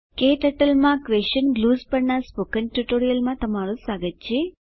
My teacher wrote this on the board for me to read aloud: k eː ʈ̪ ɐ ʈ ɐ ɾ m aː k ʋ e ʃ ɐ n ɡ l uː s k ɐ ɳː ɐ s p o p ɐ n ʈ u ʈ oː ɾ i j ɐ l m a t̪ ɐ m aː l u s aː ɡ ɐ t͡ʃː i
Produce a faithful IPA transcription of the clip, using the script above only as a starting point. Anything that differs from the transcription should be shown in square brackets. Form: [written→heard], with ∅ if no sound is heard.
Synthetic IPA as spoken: k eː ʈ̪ ɐ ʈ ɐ [ɾ→l] m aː k ʋ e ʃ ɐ n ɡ l uː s [k→p] ɐ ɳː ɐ s p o [p→k] ɐ n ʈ u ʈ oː ɾ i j ɐ l m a t̪ ɐ m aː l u s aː ɡ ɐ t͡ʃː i